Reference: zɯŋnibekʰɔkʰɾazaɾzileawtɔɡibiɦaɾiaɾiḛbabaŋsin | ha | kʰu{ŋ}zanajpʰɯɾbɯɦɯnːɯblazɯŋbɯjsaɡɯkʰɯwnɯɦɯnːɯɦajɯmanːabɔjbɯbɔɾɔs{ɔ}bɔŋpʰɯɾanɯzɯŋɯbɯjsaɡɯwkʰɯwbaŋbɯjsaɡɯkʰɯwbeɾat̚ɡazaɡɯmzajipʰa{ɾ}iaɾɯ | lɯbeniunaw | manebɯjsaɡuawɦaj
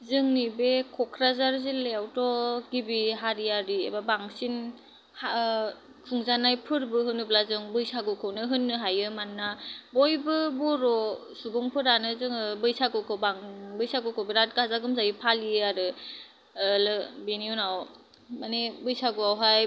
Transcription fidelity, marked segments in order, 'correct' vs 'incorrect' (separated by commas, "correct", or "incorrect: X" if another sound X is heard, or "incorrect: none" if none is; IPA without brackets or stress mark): correct, incorrect: u, incorrect: l